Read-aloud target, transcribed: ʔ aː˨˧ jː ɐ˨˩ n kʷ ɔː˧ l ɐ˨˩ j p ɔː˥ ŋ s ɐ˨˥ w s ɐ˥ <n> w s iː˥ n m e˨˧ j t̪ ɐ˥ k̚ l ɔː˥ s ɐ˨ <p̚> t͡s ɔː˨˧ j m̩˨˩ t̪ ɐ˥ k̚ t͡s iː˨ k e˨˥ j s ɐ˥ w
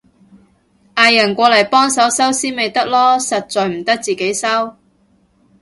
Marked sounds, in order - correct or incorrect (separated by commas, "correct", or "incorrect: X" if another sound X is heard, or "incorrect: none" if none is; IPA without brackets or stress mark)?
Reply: incorrect: none, incorrect: t̚